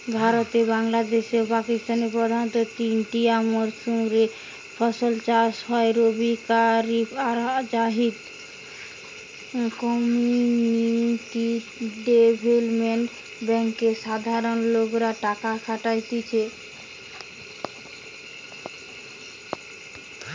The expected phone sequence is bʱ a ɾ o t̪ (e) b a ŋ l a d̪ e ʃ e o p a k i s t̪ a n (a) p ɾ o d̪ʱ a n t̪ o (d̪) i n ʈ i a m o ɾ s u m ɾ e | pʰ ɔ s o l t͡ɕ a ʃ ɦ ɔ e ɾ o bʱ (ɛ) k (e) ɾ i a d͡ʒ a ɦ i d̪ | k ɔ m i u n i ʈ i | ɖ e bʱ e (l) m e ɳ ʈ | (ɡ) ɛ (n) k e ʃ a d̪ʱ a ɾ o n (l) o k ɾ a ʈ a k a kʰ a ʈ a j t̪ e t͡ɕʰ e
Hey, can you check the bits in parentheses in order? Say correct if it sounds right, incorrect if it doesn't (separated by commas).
correct, incorrect, incorrect, incorrect, incorrect, correct, incorrect, incorrect, correct